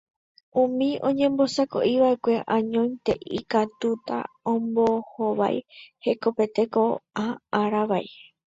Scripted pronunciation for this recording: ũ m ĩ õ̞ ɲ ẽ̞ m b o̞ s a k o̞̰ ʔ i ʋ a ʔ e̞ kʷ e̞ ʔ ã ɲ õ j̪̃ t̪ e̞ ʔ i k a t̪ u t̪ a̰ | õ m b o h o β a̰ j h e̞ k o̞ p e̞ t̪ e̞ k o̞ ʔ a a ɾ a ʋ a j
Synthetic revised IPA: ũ m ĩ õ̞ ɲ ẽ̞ m b o̞ s a k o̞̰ ʔ i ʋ a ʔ e̞ kʷ e̞ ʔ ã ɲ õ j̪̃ t̪ e̞ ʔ i k a t̪ u t̪ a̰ | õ m b o h o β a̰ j h e̞ k o̞ p e̞ t̪ e̞ k o̞ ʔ a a ɾ a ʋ a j